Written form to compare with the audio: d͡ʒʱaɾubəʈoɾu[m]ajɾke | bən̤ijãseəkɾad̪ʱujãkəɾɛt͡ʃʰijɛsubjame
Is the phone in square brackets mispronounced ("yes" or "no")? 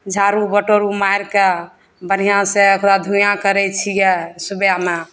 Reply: no